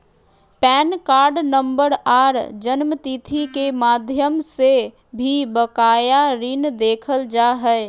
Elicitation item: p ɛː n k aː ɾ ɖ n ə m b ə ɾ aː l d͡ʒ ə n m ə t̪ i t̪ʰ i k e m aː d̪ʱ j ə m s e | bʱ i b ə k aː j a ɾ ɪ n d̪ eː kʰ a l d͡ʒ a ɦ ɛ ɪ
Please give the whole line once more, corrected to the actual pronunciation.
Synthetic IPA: p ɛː n k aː ɾ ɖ n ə m b ə ɾ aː ɾ d͡ʒ ə n m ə t̪ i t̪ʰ i k e m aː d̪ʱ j ə m s e | bʱ i b ə k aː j a ɾ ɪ n d̪ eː kʰ ə l d͡ʒ a ɦ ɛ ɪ

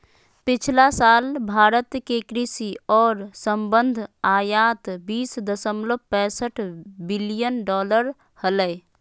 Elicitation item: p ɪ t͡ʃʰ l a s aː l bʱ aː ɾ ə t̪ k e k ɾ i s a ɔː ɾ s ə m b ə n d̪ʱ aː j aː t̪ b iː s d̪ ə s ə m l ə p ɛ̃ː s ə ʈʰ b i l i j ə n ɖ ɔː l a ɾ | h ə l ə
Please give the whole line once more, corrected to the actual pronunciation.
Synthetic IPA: p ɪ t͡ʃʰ l a s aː l bʱ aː ɾ ə t̪ k e k ɾ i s i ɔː ɾ s ə m b ə n d̪ʱ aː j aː t̪ b iː s d̪ ə s ə m l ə p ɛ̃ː s ə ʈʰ b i l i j ə n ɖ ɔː l ə ɾ | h ə l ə

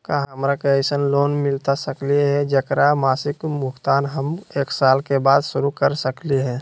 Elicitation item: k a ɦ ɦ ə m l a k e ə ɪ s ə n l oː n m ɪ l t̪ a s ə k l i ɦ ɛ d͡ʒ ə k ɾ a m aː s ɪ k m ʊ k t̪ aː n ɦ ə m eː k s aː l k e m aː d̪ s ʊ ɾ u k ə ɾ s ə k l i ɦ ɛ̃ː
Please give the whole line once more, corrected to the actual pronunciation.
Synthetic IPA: k a ɦ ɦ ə m ɾ a k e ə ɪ s ə n l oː n m ɪ l t̪ a s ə k l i ɦ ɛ d͡ʒ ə k ɾ a m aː s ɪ k m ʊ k t̪ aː n ɦ ə m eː k s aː l k e b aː d̪ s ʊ ɾ u k ə ɾ s ə k l i ɦ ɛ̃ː

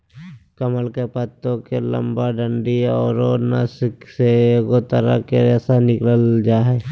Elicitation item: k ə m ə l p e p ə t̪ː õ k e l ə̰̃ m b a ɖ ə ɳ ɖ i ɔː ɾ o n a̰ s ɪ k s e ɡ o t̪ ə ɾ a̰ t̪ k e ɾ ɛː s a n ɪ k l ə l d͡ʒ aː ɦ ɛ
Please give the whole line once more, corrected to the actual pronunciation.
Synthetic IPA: k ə m ə l k e p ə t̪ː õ k e l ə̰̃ m b a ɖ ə ɳ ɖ i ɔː ɾ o n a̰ s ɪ k s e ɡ o t̪ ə ɾ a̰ k e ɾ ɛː s a n ɪ k l ə l d͡ʒ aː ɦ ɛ

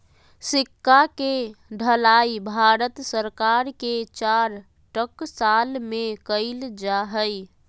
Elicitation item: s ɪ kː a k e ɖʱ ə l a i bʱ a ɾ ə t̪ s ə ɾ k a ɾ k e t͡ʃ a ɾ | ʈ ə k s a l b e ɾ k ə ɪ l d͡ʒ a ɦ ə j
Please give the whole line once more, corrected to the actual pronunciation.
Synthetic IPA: s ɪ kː a k e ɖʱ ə l a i bʱ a ɾ ə t̪ s ə ɾ k a ɾ k e t͡ʃ a ɾ | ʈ ə k s a l m e k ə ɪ l d͡ʒ a ɦ ə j

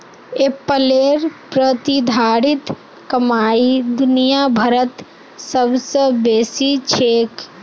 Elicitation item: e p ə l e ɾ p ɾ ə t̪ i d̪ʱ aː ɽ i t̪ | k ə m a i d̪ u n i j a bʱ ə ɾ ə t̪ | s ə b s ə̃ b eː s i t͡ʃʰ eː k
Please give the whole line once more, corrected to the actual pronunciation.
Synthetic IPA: e p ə l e ɾ p ɾ ə t̪ i d̪ʱ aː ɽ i t̪ | k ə m a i d̪ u n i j a bʱ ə ɾ ə t̪ | s ə b s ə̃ b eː s i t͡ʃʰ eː k

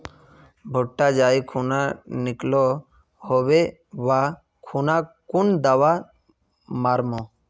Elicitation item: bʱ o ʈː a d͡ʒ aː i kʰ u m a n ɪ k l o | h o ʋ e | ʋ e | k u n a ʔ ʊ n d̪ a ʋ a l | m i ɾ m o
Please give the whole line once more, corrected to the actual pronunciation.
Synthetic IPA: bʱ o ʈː a d͡ʒ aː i kʰ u n a n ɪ k l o | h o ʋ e | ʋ a | kʰ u n a k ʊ n d̪ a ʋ a | m a ɾ m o

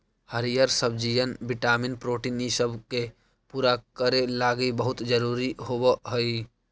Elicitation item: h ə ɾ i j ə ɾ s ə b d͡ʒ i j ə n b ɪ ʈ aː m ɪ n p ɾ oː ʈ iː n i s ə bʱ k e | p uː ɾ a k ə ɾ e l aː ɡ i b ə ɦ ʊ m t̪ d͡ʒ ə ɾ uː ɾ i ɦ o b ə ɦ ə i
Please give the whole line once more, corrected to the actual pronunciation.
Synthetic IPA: h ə ɾ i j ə ɾ s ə b d͡ʒ i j ə n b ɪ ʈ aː m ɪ n p ɾ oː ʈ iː n i s ə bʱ k e | p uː ɾ a k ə ɾ e l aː ɡ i b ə ɦ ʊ t̪ d͡ʒ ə ɾ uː ɾ i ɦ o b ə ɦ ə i

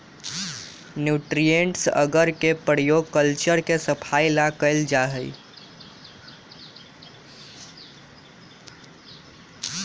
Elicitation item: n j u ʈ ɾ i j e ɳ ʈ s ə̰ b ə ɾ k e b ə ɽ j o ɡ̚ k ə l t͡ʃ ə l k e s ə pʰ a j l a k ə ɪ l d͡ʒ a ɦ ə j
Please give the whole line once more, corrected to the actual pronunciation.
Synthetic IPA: n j u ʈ ɾ i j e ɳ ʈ s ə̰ ɡ ə ɾ k e p ə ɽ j o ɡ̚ k ə l t͡ʃ ə ɾ k e s ə pʰ a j l a k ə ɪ l d͡ʒ a ɦ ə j

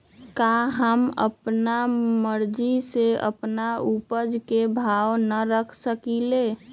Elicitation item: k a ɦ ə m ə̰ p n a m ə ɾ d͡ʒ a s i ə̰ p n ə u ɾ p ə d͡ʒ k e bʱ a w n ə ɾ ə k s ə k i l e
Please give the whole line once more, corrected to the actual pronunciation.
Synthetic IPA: k a ɦ ə m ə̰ p n a m ə ɾ d͡ʒ i s e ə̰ p n a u p ə d͡ʒ k e bʱ a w n ə ɾ ə kʰ s ə k i l e

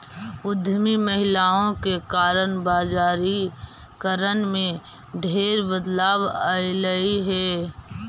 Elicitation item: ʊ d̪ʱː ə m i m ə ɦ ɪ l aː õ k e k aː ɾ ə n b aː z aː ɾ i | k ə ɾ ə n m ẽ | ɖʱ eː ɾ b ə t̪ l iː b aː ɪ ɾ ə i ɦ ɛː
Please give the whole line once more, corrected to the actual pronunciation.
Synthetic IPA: ʊ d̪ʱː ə m i m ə ɦ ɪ l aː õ k e k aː ɾ ə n b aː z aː ɾ i | k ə ɾ ə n m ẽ | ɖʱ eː ɾ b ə d̪ l aː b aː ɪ l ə i ɦ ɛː

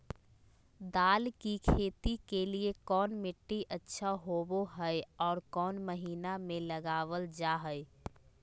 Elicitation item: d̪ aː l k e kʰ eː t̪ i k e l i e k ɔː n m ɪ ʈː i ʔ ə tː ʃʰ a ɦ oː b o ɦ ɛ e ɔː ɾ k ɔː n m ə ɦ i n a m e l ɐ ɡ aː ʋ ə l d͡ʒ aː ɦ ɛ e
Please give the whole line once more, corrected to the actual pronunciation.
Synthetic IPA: d̪ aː l k i kʰ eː t̪ i k e l i e k ɔː n m ɪ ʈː i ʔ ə tː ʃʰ a ɦ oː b o ɦ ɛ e ɔː ɾ k ɔː n m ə ɦ iː n a m ẽ l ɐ ɡ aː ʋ ə l d͡ʒ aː ɦ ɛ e

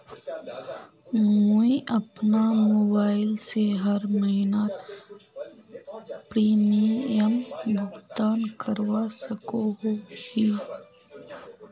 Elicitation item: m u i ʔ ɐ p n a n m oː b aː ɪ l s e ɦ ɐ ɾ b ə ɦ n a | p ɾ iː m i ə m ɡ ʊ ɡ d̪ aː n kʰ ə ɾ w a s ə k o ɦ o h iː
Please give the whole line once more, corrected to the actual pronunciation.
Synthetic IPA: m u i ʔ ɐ p n a m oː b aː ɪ l s e ɦ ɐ ɾ m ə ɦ n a | p ɾ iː m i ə m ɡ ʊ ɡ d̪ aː n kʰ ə ɾ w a s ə k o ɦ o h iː

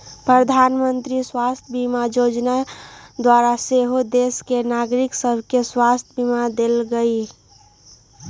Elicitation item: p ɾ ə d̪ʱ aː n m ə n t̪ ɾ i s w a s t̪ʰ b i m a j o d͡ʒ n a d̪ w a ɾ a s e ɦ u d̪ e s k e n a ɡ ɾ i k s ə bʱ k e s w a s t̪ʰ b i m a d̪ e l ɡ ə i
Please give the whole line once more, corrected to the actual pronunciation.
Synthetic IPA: p ɾ ə d̪ʱ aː n m ə n t̪ ɾ i s w a s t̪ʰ b i m a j o d͡ʒ n a d̪ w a ɾ a s e ɦ o d̪ e s k e n a ɡ ɾ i k s ə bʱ k e s w a s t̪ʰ b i m a d̪ e l ɡ ə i

